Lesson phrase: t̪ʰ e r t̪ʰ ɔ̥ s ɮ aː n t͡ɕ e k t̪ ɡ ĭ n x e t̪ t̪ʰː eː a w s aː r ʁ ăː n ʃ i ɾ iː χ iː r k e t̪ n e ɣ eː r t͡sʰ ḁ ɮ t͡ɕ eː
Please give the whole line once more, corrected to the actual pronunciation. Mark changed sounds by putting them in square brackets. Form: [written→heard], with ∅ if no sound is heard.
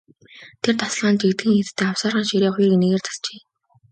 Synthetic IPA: t̪ʰ e r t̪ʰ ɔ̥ s ɮ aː n t͡ɕ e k t̪ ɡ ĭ [n→ŋ] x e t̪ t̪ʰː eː a w s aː r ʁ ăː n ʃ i ɾ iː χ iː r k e [t̪→∅] n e ɣ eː r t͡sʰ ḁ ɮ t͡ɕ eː